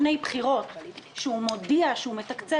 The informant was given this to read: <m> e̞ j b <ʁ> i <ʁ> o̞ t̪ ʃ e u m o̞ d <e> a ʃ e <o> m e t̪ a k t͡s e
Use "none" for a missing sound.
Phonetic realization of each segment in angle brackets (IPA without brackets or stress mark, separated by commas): n, χ, ʁ, i, u